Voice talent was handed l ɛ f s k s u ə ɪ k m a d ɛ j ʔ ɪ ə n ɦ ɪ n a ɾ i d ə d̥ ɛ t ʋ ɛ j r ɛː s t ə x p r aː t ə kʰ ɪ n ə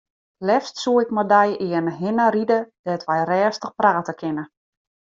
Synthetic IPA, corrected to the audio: l ɛ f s t s u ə ɪ k m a d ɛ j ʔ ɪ ə n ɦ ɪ n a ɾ i d ə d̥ ɛ t ʋ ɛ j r ɛː s t ə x p r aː t ə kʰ ɪ n ə